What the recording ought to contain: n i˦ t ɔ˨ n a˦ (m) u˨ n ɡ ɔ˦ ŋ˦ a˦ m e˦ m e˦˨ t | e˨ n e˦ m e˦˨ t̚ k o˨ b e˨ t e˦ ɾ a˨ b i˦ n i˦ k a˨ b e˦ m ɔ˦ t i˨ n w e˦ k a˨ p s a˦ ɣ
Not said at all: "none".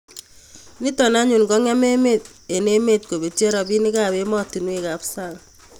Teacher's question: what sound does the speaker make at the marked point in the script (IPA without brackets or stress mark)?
ɲ